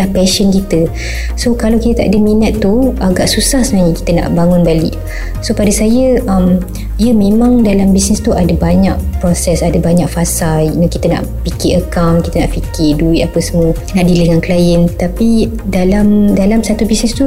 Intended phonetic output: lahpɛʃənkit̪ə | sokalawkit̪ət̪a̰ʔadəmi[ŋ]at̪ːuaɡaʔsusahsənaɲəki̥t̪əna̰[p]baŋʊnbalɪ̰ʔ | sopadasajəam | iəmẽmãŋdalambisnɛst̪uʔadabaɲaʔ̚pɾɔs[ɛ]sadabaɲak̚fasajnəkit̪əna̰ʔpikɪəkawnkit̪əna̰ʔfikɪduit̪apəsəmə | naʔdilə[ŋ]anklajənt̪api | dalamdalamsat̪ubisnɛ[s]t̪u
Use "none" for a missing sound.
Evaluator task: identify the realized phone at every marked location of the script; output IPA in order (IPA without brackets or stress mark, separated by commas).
n, ʔ, ɛ, ŋ, s